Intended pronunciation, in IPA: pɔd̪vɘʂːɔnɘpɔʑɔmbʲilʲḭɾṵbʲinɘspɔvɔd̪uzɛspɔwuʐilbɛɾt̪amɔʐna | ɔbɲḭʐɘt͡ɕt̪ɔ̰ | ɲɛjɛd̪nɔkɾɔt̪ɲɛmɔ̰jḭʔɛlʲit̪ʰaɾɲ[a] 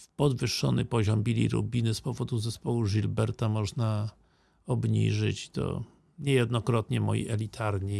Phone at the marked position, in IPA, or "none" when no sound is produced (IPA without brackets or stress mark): i